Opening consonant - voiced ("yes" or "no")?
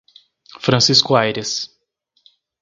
no